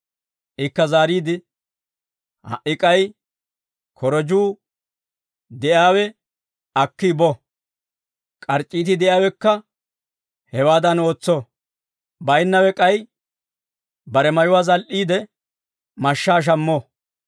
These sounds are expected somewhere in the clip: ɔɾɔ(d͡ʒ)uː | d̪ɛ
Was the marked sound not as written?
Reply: no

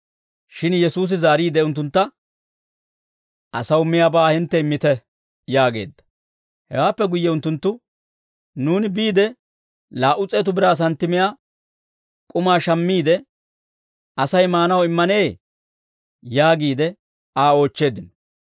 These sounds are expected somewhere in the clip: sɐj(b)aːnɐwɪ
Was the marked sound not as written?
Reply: yes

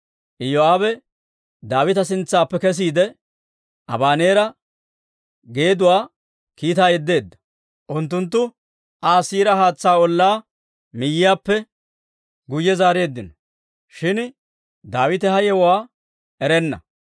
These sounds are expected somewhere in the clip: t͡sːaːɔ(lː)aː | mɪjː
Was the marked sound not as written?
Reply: no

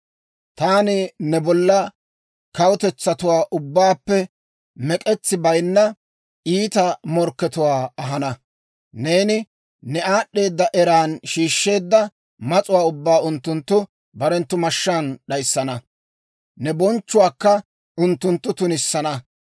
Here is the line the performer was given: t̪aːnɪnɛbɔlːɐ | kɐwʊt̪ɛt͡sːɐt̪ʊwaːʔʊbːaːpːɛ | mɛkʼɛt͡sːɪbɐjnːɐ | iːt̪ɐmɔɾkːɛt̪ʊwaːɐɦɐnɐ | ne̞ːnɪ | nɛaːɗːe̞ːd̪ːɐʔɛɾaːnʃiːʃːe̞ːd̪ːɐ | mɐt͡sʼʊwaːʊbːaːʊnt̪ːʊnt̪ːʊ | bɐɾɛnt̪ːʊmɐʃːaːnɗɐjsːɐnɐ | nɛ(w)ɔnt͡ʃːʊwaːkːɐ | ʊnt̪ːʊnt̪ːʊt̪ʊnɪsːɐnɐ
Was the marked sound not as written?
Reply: yes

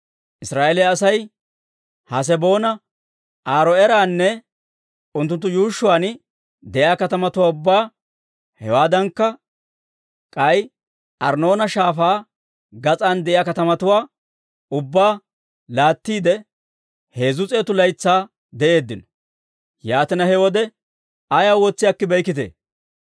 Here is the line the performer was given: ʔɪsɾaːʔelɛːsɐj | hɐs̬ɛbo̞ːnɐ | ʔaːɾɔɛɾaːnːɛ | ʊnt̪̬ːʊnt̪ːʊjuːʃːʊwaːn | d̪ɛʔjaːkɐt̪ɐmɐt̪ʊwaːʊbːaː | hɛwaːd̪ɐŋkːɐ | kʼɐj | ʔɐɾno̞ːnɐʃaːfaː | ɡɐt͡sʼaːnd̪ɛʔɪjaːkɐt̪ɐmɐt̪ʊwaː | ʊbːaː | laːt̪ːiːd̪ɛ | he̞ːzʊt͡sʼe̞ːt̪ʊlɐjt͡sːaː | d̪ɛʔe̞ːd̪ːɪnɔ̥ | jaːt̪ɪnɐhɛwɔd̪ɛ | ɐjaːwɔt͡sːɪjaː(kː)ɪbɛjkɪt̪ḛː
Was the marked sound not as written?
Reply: no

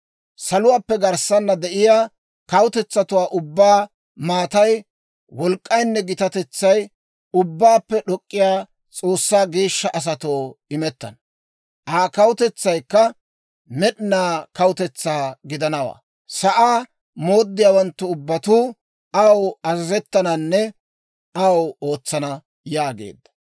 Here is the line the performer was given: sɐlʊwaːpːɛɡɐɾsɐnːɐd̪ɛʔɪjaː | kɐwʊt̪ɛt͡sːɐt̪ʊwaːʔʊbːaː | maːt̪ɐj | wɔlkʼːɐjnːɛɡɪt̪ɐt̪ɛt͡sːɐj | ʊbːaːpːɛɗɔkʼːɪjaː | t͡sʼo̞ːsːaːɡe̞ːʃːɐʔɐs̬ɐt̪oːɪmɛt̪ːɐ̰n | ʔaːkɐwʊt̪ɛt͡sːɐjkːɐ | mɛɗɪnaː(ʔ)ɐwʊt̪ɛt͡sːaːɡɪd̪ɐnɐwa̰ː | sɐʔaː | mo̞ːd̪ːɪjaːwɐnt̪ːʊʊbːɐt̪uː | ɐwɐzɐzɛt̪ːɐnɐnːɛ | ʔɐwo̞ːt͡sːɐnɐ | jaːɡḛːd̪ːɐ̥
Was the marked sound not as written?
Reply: yes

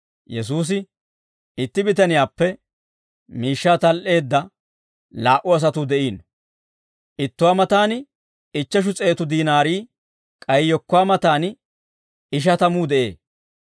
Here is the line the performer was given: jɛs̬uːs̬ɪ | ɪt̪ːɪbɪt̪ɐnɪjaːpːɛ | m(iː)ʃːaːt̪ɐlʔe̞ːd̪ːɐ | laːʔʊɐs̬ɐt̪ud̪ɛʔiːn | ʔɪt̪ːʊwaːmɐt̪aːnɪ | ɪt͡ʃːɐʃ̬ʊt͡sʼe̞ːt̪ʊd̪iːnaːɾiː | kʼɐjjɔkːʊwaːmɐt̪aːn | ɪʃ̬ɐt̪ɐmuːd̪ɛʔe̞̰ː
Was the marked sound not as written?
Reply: no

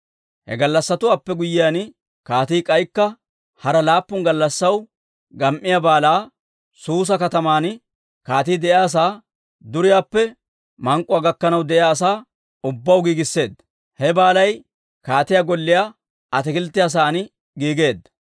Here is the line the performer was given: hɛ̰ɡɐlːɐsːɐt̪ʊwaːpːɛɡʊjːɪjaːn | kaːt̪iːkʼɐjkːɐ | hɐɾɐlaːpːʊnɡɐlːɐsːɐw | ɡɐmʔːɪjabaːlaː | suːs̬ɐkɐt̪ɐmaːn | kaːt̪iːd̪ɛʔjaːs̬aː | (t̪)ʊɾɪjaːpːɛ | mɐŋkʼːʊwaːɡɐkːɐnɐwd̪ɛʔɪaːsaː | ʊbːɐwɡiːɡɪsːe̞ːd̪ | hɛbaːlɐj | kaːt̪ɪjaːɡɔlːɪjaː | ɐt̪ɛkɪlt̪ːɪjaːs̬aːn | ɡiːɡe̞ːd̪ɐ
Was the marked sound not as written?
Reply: yes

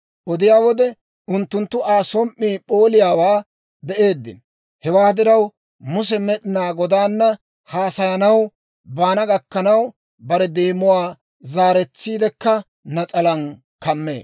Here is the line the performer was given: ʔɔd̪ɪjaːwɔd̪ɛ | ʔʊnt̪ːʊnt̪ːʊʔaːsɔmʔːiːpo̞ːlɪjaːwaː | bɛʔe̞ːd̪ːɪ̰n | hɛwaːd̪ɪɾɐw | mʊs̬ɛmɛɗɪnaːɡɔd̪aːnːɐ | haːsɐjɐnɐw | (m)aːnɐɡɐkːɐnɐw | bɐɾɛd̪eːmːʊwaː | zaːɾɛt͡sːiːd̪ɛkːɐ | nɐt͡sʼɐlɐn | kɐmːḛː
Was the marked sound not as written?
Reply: yes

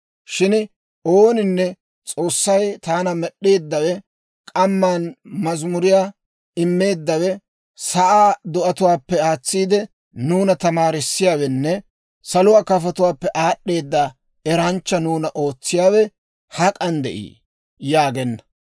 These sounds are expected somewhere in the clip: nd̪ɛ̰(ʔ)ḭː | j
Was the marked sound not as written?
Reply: no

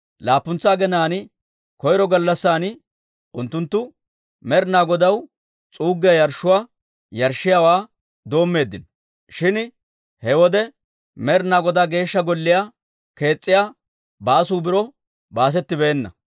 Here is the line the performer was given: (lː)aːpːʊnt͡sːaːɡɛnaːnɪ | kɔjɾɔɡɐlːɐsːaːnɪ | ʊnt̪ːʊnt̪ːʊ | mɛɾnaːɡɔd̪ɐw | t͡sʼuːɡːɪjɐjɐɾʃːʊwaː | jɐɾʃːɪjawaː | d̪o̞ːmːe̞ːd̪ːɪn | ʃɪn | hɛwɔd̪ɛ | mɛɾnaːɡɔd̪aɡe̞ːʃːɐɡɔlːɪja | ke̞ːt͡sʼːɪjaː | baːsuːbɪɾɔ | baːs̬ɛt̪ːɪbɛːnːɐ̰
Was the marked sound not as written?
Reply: yes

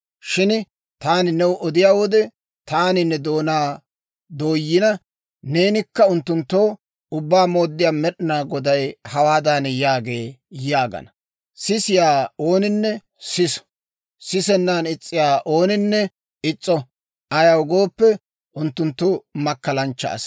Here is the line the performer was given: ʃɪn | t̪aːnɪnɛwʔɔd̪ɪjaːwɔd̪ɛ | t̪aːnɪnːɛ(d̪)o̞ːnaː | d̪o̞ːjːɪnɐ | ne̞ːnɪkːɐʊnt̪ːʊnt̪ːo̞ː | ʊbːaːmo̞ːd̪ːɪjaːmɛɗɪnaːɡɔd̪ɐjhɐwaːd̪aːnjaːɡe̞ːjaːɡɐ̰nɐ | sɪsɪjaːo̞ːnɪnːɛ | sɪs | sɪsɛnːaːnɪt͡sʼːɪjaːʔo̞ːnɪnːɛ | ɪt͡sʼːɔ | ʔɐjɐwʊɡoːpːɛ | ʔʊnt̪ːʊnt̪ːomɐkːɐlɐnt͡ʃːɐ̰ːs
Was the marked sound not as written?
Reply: no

